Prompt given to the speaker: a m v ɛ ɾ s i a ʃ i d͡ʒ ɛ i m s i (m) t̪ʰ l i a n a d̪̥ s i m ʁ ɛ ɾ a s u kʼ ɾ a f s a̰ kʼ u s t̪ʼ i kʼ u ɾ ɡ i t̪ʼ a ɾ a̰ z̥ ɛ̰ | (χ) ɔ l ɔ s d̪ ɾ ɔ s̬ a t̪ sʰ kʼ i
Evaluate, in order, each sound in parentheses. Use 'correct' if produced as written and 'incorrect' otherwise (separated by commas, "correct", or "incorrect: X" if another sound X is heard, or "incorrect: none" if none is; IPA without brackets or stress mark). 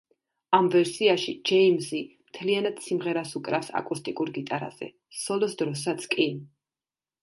correct, incorrect: s